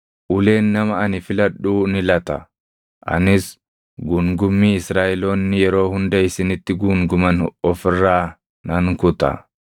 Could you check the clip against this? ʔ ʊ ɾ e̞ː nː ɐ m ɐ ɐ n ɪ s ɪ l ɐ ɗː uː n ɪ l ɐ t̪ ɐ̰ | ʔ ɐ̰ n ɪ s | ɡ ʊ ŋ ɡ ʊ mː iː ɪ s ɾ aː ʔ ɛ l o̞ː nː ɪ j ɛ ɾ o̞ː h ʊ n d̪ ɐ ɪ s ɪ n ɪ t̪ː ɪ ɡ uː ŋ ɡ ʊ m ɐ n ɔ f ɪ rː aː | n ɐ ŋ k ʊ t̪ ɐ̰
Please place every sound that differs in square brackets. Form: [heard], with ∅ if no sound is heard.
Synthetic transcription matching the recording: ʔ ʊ [l] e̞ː nː ɐ m ɐ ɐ n ɪ [f] ɪ l ɐ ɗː uː n ɪ l ɐ t̪ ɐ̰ | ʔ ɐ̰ n ɪ s | ɡ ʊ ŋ ɡ ʊ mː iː ɪ s ɾ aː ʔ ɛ l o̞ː nː ɪ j ɛ ɾ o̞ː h ʊ n d̪ ɐ ɪ s ɪ n ɪ t̪ː ɪ ɡ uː ŋ ɡ ʊ m ɐ n ɔ f ɪ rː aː | n ɐ ŋ k ʊ t̪ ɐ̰